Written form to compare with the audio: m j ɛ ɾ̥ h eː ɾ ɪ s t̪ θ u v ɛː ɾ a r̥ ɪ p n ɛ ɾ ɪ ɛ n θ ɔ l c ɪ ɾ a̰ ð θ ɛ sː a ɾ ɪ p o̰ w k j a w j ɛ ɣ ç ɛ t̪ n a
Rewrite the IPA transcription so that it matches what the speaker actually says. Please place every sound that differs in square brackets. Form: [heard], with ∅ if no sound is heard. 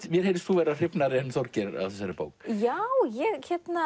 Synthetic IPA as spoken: m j ɛ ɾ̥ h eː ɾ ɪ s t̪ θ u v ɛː ɾ a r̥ ɪ p n [a] ɾ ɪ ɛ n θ ɔ [ɾ] c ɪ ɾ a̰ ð θ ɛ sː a ɾ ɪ p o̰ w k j a w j ɛ ɣ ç ɛ t̪ n a